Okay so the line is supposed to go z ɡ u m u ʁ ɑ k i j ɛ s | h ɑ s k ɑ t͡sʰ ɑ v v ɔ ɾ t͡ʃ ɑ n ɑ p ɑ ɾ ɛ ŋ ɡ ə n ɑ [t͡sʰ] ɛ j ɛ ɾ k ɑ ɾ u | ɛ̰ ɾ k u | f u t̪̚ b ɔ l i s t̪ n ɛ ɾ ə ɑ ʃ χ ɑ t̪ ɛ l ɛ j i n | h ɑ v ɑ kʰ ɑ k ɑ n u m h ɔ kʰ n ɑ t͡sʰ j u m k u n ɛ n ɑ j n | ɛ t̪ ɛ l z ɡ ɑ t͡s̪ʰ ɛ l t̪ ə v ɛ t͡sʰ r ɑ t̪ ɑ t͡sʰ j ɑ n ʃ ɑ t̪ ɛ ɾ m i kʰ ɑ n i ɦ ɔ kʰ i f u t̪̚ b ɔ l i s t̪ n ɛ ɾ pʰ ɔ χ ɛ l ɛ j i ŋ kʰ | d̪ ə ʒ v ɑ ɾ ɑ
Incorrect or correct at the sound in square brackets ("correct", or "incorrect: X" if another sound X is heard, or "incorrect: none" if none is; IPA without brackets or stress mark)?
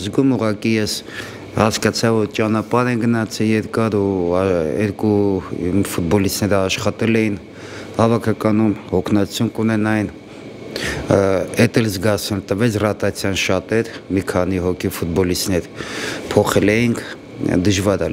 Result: correct